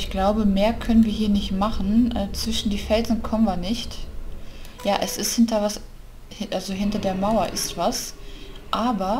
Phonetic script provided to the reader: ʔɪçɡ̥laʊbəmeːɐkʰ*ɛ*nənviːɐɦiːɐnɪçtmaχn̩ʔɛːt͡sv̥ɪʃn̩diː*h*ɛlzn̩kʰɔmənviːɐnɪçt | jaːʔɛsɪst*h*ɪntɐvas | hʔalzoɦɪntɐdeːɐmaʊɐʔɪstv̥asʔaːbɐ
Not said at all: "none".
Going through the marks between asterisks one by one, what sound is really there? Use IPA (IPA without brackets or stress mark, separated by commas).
œ, f, h